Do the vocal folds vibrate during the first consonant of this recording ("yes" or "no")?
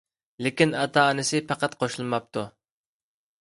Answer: yes